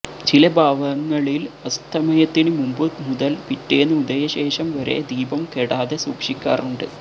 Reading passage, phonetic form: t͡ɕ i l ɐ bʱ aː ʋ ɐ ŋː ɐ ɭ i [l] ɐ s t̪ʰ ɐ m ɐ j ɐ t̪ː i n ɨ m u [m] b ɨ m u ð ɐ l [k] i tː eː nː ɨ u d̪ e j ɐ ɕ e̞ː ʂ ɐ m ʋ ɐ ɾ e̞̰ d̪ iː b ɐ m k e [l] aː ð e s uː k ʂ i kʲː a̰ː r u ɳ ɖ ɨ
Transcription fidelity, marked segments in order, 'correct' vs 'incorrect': correct, correct, incorrect, incorrect

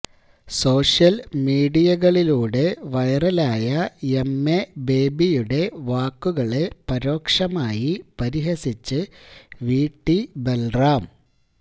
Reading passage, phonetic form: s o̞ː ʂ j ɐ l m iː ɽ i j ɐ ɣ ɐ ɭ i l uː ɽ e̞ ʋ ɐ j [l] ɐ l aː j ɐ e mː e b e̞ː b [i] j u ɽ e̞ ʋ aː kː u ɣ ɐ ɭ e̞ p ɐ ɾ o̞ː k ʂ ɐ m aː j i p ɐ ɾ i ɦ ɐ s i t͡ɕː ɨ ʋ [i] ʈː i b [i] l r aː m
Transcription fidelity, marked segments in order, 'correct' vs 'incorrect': incorrect, correct, incorrect, incorrect

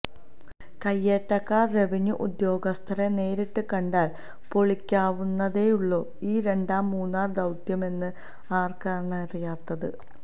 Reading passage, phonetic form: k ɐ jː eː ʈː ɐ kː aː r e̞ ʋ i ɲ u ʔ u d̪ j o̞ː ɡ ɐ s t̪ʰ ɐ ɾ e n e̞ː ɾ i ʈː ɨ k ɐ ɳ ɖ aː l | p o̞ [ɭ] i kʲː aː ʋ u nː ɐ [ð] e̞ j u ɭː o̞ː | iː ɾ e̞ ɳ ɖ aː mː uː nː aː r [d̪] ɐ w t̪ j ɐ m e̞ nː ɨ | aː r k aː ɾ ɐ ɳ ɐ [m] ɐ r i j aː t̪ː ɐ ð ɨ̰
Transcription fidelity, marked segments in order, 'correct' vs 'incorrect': correct, correct, correct, incorrect

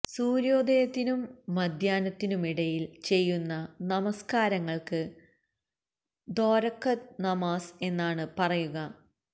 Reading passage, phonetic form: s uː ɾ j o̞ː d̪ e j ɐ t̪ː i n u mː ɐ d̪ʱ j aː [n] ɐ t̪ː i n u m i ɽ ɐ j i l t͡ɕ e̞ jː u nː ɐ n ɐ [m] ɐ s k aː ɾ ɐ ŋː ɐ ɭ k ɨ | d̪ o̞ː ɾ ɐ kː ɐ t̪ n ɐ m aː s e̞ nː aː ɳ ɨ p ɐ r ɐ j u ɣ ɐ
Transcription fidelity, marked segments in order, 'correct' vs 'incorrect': correct, correct

